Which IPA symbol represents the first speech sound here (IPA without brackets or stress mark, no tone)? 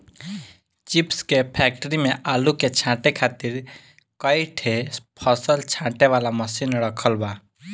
t͡ʃ